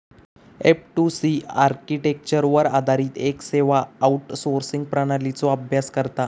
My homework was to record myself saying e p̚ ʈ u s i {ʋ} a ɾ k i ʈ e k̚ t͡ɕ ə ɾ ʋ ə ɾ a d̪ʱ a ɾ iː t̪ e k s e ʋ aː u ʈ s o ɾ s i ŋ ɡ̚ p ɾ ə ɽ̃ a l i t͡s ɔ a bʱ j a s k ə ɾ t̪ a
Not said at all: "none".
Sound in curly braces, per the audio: none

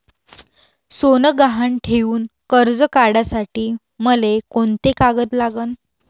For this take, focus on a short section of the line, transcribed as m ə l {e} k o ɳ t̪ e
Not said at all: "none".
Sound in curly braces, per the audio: e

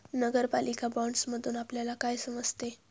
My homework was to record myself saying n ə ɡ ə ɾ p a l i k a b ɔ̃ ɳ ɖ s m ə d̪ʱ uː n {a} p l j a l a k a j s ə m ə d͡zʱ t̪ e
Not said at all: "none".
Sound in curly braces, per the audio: a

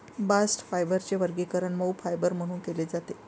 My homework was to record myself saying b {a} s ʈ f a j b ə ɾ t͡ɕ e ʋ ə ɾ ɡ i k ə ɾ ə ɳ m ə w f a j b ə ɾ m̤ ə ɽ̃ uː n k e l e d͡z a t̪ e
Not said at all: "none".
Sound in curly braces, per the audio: a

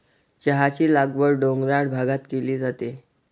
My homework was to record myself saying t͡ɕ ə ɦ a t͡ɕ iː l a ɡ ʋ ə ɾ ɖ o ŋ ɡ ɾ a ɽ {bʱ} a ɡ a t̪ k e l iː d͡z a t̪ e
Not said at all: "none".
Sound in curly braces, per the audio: bʱ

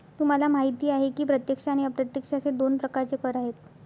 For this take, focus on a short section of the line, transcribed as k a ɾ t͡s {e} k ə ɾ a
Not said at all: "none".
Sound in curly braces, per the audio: e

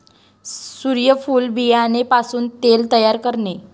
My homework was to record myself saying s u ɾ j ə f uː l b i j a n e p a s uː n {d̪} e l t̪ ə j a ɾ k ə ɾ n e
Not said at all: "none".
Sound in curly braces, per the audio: t̪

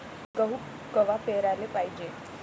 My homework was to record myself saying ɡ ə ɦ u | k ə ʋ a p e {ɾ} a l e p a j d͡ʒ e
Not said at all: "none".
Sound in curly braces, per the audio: ɾ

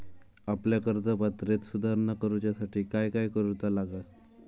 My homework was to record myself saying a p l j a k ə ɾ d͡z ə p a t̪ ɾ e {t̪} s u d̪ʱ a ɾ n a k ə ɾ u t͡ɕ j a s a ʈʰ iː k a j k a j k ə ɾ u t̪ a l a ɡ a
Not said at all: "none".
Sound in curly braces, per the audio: t̪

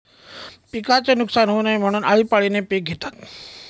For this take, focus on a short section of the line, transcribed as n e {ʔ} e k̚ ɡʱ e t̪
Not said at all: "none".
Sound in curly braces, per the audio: p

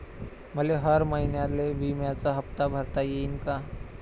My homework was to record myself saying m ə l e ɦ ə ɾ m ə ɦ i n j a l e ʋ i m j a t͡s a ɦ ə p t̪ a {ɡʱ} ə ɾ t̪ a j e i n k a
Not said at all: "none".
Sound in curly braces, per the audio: bʱ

